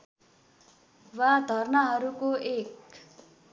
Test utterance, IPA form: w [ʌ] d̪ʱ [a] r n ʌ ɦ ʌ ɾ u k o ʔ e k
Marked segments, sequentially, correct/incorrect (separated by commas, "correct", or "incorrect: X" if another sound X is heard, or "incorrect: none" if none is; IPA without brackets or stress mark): incorrect: a, incorrect: ʌ